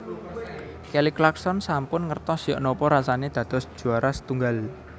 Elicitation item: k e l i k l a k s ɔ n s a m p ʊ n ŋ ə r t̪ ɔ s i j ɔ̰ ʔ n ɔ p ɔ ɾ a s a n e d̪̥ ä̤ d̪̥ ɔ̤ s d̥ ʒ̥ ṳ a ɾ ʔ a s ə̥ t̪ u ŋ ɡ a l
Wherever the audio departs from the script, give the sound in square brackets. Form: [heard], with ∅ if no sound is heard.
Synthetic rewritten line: k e l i k l a k s ɔ n s a m p ʊ n ŋ ə r t̪ ɔ s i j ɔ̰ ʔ n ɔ p ɔ ɾ a s a n e d̪̥ ä̤ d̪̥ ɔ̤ s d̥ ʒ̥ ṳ a ɾ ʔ a s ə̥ t̪ u ŋ ɡ a l